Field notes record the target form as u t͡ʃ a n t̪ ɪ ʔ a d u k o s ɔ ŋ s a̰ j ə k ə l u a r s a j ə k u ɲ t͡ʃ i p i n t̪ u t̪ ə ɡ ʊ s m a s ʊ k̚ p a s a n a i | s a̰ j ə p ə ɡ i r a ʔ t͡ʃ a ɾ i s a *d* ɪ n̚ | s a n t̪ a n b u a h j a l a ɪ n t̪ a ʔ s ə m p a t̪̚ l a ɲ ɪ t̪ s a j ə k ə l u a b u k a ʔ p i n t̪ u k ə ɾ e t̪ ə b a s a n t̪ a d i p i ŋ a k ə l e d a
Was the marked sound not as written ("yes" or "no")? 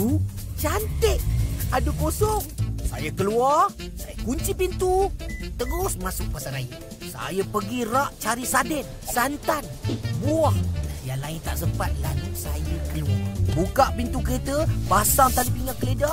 no